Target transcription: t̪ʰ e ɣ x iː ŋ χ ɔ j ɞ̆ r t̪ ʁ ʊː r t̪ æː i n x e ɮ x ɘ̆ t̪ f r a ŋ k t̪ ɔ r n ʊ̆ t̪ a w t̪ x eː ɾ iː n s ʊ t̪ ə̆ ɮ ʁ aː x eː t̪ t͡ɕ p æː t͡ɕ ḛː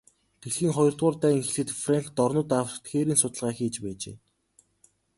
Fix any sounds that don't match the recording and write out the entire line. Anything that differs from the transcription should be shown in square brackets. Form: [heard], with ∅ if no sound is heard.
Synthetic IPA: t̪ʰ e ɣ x iː ŋ χ ɔ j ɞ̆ r t̪ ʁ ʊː r t̪ æː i [ŋ] x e ɮ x ɘ̆ t̪ f r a ŋ k t̪ ɔ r n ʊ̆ t̪ a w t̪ x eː ɾ iː n s ʊ t̪ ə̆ ɮ ʁ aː x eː [∅] t͡ɕ p æː t͡ɕ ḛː